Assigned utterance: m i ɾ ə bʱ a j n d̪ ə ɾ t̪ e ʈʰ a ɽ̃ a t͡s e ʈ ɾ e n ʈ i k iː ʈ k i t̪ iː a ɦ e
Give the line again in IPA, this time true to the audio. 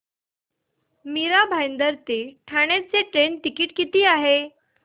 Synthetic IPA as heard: m i ɾ a bʱ a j n d̪ ə ɾ t̪ e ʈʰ a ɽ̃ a t͡s e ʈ ɾ e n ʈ i k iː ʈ k i t̪ iː a ɦ e